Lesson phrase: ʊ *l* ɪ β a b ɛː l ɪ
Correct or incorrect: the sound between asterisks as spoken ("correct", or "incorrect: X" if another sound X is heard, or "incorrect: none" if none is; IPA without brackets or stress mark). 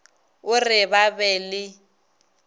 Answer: incorrect: r